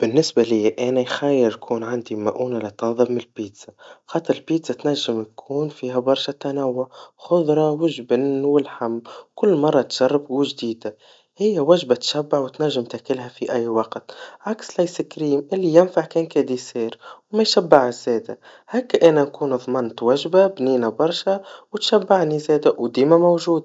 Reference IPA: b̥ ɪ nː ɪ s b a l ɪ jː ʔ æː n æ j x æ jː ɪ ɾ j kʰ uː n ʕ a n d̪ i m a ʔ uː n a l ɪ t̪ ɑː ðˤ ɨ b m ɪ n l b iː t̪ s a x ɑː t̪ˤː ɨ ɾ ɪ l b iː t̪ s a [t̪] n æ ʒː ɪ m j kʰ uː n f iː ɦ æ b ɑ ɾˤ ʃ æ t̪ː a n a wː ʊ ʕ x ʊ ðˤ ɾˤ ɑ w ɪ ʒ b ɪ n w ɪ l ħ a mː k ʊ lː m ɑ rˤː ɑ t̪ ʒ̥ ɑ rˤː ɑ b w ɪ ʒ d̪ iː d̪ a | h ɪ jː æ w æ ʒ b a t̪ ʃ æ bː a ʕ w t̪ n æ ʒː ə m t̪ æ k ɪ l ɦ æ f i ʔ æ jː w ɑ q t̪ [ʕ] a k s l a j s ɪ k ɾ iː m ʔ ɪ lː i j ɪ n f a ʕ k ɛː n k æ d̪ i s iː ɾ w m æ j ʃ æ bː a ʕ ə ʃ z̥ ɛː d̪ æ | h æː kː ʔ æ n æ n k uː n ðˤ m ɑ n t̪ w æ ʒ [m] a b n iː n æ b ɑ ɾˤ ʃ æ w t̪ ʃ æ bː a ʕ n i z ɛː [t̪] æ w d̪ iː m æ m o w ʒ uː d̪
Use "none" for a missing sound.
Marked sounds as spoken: t̪, ʕ, b, d̪

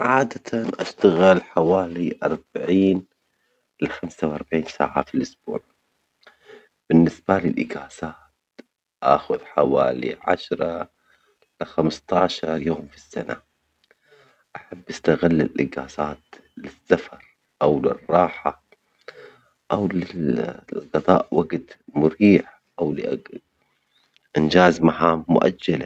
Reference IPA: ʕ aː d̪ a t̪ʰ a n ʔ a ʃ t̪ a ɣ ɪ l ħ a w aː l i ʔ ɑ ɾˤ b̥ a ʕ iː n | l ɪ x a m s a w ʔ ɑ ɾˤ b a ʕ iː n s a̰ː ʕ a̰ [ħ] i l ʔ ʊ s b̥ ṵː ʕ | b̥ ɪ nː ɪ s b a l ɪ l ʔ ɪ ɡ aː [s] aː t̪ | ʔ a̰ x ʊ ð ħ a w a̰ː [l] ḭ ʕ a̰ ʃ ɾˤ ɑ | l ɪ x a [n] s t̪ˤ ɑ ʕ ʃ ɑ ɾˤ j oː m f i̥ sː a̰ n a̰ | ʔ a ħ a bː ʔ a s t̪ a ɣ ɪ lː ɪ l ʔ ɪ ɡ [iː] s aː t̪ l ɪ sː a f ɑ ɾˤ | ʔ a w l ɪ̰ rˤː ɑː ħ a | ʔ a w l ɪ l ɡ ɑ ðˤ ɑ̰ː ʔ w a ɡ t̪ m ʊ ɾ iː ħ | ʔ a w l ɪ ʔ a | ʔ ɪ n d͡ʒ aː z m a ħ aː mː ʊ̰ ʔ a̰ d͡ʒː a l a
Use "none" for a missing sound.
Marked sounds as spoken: f, s, l, m, aː

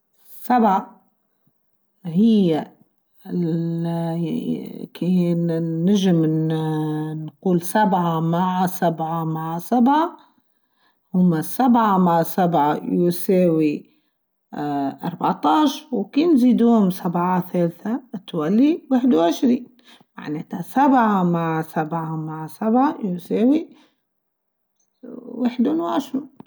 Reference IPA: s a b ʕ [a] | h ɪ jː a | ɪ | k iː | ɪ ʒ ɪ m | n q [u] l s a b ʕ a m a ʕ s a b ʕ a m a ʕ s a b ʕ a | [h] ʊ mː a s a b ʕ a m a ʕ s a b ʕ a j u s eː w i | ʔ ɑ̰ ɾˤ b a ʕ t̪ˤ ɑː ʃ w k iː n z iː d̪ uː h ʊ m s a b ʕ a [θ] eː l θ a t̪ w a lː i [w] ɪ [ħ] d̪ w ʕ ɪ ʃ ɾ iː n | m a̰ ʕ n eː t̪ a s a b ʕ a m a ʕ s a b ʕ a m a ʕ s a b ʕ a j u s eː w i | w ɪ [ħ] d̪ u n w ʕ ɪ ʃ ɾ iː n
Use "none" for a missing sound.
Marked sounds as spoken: a, uː, h, θ, w, ħ, ħ

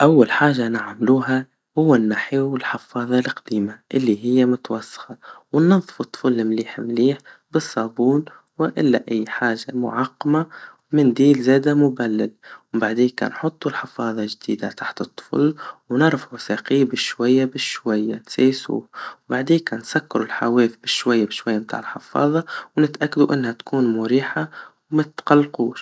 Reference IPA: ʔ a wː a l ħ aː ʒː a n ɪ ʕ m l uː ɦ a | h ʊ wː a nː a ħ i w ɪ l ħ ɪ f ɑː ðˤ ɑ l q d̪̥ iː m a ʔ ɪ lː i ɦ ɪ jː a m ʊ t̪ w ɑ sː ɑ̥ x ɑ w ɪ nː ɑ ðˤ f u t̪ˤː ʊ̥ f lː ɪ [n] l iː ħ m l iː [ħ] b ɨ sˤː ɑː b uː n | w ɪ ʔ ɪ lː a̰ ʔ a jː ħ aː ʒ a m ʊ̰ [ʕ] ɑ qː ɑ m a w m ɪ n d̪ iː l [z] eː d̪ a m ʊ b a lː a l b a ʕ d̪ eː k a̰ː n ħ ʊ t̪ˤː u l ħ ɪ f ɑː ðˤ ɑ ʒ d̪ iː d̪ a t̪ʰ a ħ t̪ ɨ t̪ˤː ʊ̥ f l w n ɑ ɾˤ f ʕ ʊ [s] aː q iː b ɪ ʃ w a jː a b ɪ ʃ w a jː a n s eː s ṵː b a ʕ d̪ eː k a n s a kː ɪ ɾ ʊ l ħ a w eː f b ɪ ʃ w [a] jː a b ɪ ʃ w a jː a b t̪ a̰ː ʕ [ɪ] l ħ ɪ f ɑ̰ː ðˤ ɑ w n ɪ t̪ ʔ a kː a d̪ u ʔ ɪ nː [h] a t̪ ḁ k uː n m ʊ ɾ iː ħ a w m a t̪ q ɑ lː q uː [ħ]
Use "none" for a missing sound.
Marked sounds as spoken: m, ħ, ʕ, z, s, a, ɪ, h, ʃ

